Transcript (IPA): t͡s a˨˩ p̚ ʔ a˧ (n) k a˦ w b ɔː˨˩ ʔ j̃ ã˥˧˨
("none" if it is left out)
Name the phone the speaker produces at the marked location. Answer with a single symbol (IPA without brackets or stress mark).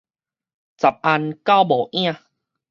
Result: n